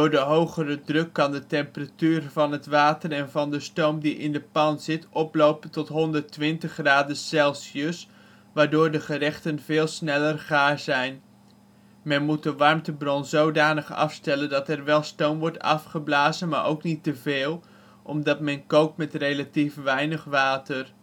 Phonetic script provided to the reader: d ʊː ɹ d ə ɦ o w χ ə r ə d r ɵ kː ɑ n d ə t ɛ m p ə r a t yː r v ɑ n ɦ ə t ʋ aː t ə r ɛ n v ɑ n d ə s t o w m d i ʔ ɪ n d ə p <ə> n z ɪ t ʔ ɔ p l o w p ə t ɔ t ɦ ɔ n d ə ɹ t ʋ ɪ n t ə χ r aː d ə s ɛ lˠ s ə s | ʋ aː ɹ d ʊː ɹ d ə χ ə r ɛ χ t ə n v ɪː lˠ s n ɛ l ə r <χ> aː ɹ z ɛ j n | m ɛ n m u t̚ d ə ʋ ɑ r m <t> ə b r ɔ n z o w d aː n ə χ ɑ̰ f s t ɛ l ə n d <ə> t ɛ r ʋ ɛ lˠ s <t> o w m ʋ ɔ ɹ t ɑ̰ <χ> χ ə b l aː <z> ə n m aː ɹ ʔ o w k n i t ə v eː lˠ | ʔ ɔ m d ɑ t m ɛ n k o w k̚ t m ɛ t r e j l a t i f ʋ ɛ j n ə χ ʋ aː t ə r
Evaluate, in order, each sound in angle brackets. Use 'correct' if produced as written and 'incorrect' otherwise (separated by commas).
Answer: incorrect, correct, correct, incorrect, correct, incorrect, correct